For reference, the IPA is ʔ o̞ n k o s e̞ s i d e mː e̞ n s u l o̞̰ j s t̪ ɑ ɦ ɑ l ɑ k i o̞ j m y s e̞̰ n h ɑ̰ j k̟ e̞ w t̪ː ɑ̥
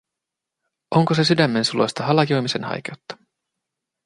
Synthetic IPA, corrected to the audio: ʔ o̞ ŋ k o s e̞ s y d æ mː e̞ n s u l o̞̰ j s t̪ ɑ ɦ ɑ l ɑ k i o̞ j m i s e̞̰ n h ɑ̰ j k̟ e̞ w t̪ː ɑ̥